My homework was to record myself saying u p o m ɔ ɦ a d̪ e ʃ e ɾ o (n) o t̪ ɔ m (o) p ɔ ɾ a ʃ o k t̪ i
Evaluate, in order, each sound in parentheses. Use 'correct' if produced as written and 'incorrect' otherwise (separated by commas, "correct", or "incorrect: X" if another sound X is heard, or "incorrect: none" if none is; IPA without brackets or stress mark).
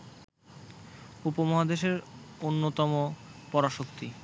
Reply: incorrect: nː, correct